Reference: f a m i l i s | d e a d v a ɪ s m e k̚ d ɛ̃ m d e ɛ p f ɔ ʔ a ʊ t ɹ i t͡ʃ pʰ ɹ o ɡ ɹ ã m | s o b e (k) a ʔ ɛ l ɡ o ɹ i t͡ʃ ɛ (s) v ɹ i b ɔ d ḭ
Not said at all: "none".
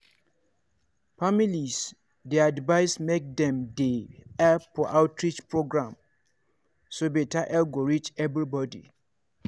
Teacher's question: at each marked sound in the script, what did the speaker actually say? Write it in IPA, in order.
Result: t, none

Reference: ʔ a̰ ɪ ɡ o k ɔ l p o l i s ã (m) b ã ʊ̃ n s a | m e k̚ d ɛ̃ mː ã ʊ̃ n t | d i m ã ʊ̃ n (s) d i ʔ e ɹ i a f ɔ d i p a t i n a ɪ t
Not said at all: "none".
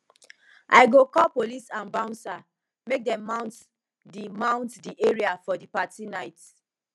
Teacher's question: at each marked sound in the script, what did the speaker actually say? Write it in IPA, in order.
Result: n, t

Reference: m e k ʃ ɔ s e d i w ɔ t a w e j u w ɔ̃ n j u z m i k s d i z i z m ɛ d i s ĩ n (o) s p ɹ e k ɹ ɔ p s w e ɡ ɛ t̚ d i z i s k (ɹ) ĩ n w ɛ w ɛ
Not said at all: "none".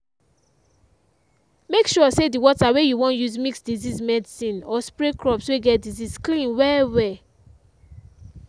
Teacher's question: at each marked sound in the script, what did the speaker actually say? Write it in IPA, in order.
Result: ɔ, l

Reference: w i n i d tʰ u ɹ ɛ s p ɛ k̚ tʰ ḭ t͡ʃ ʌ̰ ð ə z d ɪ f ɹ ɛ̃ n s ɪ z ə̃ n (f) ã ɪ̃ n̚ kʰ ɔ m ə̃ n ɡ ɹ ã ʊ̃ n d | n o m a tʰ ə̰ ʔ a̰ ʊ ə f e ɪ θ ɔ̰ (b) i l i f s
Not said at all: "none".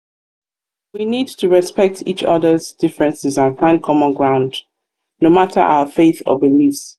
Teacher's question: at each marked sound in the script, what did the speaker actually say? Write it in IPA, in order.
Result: f, b

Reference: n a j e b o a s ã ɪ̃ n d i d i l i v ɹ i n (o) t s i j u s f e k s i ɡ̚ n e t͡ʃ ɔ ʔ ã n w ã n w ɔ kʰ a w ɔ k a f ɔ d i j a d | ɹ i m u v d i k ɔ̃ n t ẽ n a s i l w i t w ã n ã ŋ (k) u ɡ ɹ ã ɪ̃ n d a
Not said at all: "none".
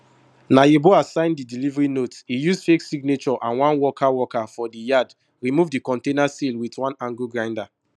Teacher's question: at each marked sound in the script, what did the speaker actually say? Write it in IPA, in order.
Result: o, ɡ

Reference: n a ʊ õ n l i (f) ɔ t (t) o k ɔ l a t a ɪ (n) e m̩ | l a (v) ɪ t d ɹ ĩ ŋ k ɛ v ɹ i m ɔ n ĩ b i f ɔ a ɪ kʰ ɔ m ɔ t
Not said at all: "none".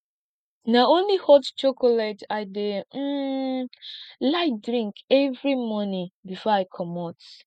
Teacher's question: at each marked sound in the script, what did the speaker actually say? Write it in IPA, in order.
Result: h, t͡ʃ, d, none

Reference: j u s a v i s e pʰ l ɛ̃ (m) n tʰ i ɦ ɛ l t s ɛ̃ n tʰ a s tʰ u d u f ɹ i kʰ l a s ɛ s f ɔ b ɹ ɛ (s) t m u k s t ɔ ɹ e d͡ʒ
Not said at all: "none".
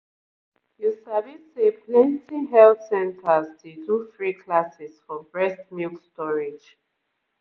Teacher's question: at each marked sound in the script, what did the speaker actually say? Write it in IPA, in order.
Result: none, s

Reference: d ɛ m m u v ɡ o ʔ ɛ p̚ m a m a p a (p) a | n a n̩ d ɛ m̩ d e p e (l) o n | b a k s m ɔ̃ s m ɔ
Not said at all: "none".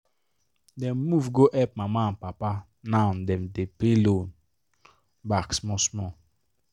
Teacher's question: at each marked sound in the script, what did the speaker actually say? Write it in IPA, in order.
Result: p, l

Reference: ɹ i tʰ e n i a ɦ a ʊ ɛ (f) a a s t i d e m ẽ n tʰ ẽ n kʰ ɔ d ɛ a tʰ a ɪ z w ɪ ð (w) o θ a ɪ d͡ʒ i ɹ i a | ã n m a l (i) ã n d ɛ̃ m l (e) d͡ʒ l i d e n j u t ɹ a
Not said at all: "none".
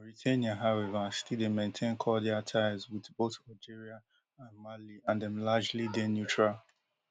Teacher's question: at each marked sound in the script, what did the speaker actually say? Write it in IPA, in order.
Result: v, b, i, a

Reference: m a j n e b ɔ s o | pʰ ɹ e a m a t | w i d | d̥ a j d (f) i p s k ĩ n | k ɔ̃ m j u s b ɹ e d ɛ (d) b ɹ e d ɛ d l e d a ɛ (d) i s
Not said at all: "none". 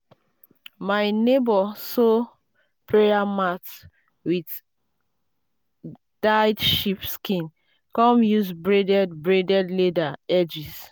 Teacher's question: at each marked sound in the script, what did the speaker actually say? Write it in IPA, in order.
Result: ʃ, d, d͡ʒ

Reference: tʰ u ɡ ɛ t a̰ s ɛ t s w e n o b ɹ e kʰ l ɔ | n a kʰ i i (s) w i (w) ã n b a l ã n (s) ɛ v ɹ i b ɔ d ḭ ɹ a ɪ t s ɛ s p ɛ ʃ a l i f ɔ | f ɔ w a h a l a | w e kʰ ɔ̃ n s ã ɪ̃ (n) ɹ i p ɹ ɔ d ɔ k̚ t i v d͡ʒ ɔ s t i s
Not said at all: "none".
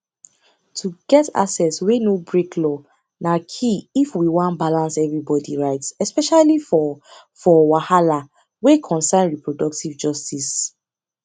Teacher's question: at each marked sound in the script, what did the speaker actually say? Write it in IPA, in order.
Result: f, w, s, n

